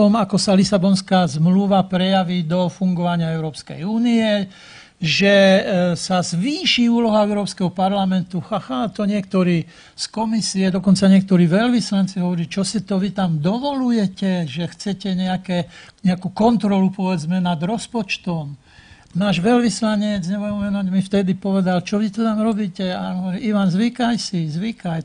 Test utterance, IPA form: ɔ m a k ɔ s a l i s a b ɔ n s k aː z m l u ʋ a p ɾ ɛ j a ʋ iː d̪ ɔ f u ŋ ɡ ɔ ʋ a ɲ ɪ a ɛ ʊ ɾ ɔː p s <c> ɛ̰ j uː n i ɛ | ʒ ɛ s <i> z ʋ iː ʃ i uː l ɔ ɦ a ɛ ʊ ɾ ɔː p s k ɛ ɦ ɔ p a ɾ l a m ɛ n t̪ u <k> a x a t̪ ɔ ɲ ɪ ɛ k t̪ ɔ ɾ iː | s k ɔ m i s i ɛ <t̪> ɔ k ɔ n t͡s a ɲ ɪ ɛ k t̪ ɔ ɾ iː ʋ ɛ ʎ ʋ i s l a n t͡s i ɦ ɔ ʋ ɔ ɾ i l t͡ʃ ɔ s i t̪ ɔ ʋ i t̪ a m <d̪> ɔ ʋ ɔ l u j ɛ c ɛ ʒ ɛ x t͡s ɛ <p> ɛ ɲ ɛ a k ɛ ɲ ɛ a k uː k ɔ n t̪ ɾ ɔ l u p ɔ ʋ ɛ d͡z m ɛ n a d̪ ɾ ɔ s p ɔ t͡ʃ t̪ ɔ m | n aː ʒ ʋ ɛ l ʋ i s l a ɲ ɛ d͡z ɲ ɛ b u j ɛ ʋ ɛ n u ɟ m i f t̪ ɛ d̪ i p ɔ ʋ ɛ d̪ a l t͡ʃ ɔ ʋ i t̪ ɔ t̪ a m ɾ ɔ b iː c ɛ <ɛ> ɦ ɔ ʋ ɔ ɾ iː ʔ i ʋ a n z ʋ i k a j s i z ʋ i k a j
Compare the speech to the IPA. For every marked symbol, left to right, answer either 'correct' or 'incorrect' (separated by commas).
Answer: incorrect, incorrect, incorrect, incorrect, correct, incorrect, incorrect